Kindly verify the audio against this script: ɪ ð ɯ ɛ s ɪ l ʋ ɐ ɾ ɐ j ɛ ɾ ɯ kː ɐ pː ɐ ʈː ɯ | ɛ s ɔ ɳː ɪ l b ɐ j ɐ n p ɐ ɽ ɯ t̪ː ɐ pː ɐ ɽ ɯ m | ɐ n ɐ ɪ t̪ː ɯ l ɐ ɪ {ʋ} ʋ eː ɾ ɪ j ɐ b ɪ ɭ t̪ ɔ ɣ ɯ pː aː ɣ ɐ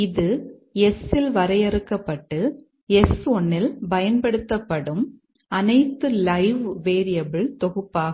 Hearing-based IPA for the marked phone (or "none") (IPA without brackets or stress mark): ʋ